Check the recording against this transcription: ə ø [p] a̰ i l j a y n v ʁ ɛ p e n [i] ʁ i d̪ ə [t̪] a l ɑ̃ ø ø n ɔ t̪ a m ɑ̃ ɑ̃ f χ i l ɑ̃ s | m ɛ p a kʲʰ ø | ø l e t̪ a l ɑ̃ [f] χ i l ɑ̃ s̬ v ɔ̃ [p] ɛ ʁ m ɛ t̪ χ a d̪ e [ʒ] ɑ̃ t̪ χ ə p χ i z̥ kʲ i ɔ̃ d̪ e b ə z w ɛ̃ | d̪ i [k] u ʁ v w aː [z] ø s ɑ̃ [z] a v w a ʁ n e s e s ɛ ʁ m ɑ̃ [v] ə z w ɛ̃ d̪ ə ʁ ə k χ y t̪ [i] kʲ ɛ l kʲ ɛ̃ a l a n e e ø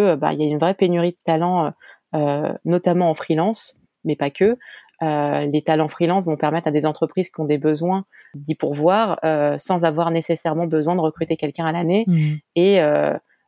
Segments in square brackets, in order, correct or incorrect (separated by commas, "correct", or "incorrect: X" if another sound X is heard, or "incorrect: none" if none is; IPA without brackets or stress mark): incorrect: b, incorrect: y, correct, correct, correct, incorrect: z, incorrect: p, incorrect: ʁ, correct, incorrect: b, incorrect: e